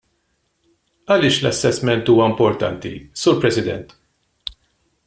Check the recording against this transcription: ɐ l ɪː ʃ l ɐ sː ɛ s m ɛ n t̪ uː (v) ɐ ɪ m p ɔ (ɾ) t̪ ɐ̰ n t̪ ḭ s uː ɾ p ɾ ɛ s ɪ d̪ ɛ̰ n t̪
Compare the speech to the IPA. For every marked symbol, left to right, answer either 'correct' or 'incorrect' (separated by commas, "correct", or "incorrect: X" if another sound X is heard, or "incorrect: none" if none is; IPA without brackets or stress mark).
incorrect: w, correct